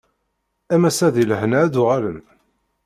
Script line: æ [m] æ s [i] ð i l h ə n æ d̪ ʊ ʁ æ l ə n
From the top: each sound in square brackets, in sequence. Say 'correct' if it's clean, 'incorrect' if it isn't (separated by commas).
correct, incorrect